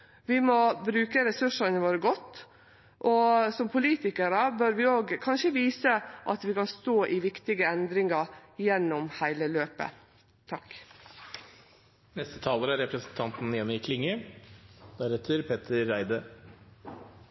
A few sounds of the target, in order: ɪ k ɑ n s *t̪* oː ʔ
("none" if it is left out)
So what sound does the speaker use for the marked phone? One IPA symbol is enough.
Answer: t̪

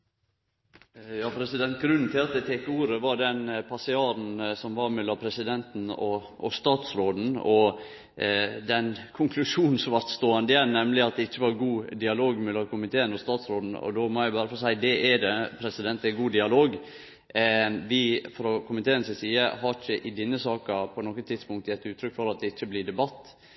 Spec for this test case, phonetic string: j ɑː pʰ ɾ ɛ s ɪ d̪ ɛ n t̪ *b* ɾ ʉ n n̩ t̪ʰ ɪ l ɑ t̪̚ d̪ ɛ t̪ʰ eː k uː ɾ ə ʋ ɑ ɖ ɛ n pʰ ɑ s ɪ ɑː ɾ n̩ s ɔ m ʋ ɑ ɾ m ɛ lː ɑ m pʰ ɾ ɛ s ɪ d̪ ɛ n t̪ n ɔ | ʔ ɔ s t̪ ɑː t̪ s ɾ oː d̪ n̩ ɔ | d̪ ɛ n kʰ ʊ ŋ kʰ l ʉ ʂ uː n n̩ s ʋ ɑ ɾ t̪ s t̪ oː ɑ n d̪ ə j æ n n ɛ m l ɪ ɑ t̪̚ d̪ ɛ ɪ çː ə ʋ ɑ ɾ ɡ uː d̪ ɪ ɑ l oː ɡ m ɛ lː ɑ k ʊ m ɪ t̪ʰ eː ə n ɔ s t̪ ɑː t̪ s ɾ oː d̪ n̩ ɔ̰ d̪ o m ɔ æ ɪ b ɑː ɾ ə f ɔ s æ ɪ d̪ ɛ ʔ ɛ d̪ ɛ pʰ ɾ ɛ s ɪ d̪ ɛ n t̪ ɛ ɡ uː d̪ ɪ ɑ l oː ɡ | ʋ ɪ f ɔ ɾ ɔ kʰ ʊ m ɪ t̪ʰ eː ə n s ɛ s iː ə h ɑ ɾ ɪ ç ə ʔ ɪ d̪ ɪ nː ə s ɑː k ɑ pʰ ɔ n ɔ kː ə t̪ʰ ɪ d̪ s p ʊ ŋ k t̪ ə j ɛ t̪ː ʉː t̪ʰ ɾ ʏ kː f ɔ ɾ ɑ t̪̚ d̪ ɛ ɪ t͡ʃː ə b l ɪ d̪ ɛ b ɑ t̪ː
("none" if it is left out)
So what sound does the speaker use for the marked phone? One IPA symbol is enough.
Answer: ɡ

